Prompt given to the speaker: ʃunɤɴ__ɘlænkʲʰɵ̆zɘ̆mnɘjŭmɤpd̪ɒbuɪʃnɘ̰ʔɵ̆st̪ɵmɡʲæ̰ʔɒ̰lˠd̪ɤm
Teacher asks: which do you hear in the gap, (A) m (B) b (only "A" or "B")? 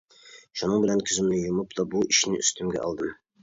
B